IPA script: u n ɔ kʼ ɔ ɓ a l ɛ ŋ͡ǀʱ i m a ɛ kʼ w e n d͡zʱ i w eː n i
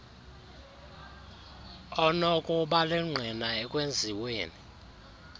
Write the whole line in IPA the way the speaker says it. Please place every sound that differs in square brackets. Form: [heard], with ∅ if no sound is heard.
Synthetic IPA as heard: [ɔ] n ɔ kʼ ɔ ɓ a l ɛ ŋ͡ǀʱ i [n] a ɛ kʼ w e n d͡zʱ i w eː n i